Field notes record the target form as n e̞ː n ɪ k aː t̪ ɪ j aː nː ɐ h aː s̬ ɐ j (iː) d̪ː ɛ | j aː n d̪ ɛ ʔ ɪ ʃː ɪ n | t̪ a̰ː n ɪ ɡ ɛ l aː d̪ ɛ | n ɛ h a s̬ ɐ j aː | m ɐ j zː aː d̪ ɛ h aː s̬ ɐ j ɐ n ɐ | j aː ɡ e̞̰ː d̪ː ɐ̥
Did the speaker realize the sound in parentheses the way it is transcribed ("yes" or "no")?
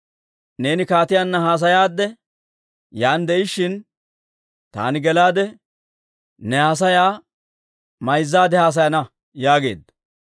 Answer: no